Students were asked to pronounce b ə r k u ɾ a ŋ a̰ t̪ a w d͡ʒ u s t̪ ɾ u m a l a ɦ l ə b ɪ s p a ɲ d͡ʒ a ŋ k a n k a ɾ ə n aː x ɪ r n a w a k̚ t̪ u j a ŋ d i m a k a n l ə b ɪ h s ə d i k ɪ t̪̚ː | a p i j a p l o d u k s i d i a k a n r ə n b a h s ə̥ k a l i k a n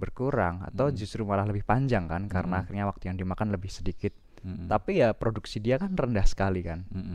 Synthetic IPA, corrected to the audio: b ə r k u ɾ a ŋ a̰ t̪ a w d͡ʒ u s t̪ ɾ u m a l a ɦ l ə b ɪ h p a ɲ d͡ʒ a ŋ k a n k a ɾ ə n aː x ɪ r ɲ a w a k̚ t̪ u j a ŋ d i m a k a n l ə b ɪ h s ə d i k ɪ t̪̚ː | a p i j a p ɾ o d u k s i d i a k a n r ə n d a h s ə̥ k a l i k a n